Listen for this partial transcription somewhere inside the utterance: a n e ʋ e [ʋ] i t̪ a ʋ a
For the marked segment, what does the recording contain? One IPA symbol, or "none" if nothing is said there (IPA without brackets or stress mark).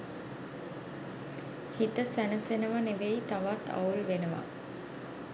none